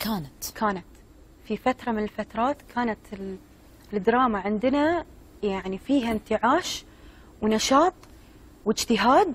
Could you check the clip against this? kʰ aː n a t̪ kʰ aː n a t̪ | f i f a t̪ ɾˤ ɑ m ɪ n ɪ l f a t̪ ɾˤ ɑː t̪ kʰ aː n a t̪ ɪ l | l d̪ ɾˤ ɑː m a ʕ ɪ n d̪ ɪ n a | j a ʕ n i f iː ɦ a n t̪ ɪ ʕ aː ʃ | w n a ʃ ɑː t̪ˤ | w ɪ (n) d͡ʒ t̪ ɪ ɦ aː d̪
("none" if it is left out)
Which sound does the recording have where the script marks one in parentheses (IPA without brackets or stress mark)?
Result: none